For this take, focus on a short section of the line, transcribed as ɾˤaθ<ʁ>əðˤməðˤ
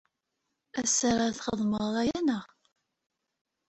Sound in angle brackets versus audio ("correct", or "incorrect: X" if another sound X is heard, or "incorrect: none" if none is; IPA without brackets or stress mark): incorrect: χ